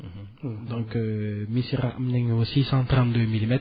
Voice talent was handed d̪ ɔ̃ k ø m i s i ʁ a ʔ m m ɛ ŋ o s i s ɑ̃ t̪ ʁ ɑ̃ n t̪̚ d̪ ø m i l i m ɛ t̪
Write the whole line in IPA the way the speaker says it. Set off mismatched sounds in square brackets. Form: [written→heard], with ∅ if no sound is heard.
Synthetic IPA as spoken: d̪ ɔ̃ k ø m i s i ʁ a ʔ m [m→n] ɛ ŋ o s i s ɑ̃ t̪ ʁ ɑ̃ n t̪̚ d̪ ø m i l i m ɛ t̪